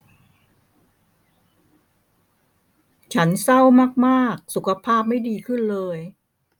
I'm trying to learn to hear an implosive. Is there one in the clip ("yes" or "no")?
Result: no